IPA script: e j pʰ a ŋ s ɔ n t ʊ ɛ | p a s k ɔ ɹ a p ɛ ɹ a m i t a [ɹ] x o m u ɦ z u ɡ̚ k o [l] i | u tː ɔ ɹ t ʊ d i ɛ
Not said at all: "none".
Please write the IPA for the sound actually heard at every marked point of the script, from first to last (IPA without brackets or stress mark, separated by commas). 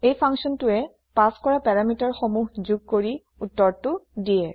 ɹ, ɹ